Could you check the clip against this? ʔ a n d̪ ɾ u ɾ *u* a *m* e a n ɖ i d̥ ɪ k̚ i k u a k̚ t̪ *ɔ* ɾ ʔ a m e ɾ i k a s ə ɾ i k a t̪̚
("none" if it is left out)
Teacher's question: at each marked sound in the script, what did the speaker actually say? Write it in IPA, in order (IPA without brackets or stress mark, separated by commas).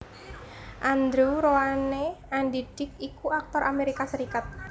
o, n, ɔ